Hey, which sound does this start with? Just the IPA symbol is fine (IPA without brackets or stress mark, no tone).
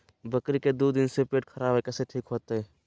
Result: b